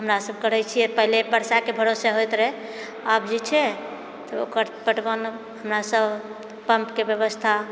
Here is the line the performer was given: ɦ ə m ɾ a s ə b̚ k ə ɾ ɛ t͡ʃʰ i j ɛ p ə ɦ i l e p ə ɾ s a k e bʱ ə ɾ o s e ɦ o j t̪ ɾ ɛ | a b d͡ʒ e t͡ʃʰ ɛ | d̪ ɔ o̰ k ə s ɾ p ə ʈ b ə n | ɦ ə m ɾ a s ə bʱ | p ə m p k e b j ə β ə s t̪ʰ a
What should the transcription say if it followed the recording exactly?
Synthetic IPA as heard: ɦ ə m ɾ a s ə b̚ k ə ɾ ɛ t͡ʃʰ i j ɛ p ə ɦ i l e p ə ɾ s a k e bʱ ə ɾ o s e ɦ o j t̪ ɾ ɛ | a b d͡ʒ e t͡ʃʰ ɛ | t̪ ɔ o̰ k ə ɾ p ə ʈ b ə n | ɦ ə m ɾ a s ə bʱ | p ə m p k e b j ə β ə s t̪ʰ a